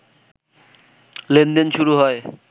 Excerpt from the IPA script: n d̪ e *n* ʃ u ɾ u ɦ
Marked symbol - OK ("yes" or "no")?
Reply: yes